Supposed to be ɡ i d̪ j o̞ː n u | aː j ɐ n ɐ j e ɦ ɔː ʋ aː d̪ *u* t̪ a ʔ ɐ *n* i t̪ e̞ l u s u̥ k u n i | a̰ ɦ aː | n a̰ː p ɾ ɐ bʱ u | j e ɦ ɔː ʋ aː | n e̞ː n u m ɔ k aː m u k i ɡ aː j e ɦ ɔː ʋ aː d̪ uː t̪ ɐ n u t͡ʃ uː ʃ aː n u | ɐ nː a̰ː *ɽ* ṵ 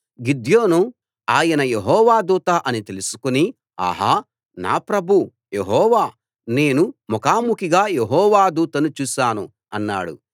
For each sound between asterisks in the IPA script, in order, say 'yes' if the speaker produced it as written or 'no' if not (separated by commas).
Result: no, yes, yes